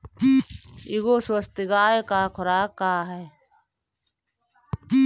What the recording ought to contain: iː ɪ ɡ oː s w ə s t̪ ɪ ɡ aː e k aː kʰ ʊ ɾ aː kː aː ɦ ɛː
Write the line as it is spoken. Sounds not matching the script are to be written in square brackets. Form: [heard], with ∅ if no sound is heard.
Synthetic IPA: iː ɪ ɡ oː s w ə s t̪ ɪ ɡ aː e k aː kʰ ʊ ɾ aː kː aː ɦ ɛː